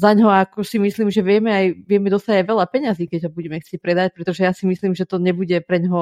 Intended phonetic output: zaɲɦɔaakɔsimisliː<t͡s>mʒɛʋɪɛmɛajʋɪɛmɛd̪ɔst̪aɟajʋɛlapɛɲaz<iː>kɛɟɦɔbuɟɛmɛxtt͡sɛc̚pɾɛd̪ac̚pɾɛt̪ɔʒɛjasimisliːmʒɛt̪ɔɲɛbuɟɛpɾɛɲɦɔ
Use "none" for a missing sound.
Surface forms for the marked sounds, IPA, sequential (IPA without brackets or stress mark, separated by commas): none, iː